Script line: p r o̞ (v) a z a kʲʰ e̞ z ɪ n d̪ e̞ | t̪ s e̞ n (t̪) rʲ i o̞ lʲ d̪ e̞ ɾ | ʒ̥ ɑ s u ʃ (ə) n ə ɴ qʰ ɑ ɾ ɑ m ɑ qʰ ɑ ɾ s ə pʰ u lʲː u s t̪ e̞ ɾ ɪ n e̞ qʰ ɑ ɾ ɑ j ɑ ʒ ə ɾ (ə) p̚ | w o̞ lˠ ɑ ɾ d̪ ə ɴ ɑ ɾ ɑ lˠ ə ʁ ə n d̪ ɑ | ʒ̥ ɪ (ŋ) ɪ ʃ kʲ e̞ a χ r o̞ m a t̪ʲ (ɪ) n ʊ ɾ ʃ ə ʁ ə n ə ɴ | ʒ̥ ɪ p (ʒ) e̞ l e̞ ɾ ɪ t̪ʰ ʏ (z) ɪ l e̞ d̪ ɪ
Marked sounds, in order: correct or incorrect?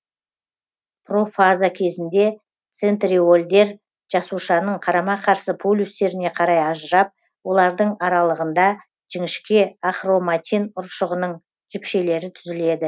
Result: incorrect, correct, incorrect, incorrect, correct, incorrect, incorrect, correct

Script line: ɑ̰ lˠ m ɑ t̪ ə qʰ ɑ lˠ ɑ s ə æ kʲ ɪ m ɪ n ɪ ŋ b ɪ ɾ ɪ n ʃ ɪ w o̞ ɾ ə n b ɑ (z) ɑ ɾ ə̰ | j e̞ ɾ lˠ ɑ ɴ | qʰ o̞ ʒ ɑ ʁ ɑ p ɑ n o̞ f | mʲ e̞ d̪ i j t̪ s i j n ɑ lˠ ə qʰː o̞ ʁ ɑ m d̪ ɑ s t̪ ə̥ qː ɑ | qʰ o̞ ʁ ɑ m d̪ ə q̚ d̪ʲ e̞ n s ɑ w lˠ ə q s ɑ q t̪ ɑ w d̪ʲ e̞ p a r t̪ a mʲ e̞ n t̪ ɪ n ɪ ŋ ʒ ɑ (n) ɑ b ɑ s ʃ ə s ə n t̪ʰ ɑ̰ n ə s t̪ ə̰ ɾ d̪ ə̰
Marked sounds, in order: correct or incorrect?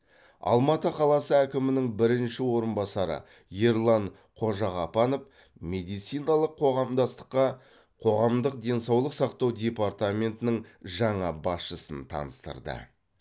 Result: incorrect, incorrect

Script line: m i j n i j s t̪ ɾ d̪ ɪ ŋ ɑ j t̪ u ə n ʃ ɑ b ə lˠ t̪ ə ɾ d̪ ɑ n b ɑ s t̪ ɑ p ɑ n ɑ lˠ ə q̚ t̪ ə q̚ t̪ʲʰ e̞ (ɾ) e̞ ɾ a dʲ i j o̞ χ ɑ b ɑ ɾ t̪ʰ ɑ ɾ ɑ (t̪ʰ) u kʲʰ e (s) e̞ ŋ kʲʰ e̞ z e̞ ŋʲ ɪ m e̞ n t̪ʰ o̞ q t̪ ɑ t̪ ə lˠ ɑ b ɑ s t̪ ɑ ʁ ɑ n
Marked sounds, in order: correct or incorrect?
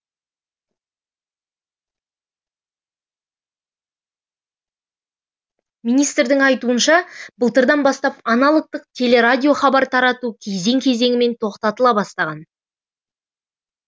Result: incorrect, incorrect, incorrect

